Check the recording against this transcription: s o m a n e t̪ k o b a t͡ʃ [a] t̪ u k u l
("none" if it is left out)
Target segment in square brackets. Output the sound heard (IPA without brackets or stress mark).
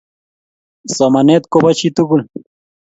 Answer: i